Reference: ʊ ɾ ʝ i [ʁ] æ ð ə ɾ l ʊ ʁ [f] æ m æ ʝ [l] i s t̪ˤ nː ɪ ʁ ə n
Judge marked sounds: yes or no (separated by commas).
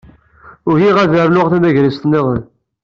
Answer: yes, no, no